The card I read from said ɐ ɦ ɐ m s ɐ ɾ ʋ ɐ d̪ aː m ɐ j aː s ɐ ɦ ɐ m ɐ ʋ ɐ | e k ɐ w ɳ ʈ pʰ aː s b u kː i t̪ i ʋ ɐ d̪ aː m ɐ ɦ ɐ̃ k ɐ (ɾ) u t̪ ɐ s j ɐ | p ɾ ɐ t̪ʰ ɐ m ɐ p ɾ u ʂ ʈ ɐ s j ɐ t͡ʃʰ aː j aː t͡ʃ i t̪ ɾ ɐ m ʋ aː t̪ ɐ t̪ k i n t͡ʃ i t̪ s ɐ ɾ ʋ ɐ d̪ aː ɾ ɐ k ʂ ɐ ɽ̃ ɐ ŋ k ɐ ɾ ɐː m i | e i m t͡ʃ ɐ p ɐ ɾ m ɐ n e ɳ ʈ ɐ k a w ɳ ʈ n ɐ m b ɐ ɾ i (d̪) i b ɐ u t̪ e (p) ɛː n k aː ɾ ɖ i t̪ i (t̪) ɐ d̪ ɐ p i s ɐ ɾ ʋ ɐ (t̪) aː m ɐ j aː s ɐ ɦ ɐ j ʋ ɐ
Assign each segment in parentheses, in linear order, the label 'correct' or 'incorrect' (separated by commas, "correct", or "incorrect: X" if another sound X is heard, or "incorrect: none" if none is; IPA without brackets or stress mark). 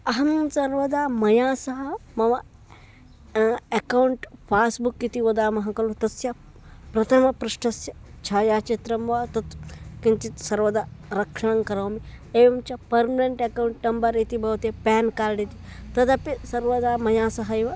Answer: incorrect: l, incorrect: t̪, correct, correct, incorrect: d̪